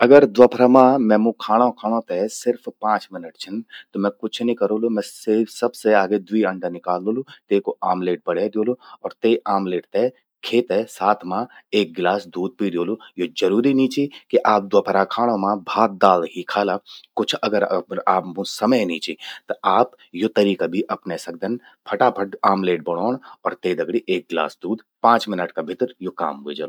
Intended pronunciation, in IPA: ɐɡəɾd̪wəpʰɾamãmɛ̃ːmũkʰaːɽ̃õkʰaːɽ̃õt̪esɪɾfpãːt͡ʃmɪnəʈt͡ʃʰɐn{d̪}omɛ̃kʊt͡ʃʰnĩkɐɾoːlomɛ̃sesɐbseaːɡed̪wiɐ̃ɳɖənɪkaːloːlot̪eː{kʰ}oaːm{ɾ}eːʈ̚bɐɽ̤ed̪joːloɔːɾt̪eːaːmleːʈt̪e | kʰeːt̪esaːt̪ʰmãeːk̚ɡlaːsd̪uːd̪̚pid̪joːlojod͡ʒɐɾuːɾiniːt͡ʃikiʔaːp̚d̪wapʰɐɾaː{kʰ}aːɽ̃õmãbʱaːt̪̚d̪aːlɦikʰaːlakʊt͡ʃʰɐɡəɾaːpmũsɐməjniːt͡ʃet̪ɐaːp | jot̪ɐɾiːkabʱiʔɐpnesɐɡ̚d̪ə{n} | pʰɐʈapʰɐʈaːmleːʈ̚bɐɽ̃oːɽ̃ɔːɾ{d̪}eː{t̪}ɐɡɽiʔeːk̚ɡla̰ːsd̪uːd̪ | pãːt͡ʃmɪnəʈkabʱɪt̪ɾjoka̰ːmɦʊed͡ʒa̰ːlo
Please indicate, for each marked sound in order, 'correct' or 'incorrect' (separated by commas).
incorrect, incorrect, incorrect, correct, correct, incorrect, incorrect